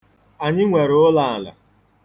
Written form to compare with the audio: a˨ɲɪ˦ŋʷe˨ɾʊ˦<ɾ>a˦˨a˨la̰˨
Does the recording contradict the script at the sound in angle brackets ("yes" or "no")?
yes